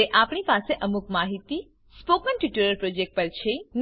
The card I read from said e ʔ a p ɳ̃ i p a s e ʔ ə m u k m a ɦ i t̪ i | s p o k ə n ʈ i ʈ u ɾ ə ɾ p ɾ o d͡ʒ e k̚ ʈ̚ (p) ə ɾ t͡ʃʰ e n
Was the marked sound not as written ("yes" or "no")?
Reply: no